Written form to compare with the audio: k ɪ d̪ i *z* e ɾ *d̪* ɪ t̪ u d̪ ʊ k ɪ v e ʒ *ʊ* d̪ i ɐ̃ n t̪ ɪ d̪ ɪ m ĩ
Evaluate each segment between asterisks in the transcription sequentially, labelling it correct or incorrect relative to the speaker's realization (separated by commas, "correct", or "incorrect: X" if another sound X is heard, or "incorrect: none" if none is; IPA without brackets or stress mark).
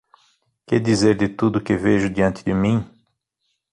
correct, correct, correct